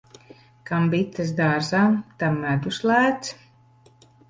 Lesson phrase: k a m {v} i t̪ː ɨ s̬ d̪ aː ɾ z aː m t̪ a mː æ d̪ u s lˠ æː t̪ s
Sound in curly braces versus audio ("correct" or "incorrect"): incorrect